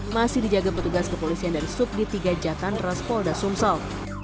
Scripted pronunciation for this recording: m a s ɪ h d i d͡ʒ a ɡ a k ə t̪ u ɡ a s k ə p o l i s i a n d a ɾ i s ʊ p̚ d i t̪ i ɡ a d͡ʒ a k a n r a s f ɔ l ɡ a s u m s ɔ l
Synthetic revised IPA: m a s ɪ h d i d͡ʒ a ɡ a p ə t̪ u ɡ a s k ə p o l i s i a n d a ɾ i s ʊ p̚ d i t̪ i ɡ a d͡ʒ a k a n r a s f ɔ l d a s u m s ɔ l